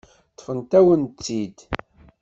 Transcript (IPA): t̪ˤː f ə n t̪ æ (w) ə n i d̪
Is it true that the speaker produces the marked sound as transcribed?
yes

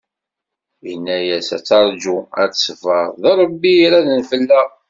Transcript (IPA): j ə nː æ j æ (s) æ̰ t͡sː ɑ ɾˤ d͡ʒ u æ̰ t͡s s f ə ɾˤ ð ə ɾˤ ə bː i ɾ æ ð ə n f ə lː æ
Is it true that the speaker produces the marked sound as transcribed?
yes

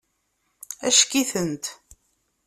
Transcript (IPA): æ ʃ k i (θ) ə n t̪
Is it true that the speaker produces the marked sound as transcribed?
yes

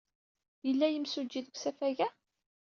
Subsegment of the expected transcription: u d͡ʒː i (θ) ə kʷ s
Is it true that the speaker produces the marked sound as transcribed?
no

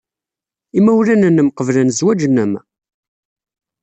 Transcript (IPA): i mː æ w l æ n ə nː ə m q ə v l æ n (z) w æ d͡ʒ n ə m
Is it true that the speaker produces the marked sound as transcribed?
yes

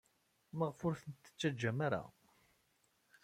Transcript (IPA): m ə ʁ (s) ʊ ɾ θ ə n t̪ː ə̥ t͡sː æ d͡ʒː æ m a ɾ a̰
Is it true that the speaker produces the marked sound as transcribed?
no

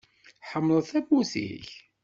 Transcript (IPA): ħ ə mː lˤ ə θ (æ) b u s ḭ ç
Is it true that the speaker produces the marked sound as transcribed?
yes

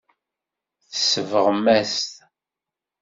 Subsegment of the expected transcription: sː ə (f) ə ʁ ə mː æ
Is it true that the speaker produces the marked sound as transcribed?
no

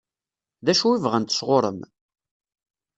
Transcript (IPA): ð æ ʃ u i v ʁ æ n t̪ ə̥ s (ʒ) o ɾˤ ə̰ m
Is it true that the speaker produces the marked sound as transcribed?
no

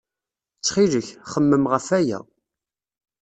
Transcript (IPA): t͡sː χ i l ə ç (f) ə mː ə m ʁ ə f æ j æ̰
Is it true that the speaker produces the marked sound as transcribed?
no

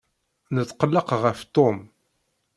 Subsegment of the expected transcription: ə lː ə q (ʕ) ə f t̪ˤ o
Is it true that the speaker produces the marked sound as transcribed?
no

